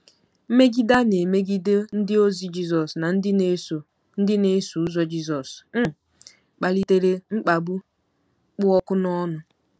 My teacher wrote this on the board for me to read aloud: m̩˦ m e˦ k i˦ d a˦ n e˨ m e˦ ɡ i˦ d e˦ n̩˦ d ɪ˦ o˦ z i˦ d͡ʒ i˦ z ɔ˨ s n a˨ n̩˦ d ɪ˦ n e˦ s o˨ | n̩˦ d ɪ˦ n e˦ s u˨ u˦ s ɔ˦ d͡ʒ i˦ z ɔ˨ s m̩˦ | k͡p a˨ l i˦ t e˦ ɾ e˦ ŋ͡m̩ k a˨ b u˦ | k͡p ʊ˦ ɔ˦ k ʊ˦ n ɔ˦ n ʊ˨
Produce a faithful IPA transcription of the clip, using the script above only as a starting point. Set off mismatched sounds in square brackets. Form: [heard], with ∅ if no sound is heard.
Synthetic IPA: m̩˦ m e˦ [ɡ] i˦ d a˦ n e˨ m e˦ ɡ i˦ d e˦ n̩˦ d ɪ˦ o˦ z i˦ d͡ʒ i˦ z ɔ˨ s n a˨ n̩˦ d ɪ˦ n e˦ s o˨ | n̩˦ d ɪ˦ n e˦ s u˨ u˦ [z] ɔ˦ d͡ʒ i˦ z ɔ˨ s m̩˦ | k͡p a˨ l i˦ t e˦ ɾ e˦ ŋ͡m̩ [k͡p] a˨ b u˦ | k͡p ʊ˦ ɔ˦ k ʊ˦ n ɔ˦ n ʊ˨